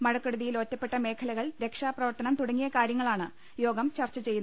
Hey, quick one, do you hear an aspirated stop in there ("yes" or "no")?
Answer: yes